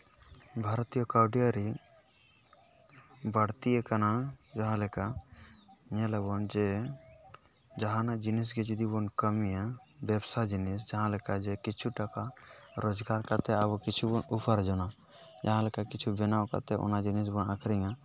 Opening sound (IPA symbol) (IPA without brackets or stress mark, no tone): bʱ